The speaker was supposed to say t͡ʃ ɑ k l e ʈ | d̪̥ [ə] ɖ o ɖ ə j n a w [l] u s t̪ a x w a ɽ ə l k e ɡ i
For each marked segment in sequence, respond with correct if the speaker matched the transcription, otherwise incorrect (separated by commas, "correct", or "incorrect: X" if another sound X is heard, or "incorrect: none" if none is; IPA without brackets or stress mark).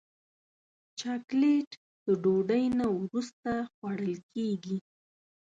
correct, incorrect: ɾ